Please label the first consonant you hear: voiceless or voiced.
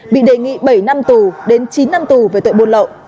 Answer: voiced